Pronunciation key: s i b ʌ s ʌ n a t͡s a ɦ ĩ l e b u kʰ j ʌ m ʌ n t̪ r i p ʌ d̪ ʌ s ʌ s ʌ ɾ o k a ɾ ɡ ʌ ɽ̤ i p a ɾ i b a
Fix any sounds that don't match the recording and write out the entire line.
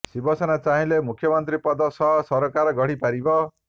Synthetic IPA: s i b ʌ s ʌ n a t͡s a ɦ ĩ l e m u kʰ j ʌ m ʌ n t̪ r i p ʌ d̪ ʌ s ʌ s ʌ ɾ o k a ɾ ɡ ʌ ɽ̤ i p a ɾ i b ʌ